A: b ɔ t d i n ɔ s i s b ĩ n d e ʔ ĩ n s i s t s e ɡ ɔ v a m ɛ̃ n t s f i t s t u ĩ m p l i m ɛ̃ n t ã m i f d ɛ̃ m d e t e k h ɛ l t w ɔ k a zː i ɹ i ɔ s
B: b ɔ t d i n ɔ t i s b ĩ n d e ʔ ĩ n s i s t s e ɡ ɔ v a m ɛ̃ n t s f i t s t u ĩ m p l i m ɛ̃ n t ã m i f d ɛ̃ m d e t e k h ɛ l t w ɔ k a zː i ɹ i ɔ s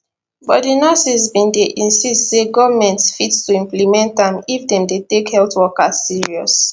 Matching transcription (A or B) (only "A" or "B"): A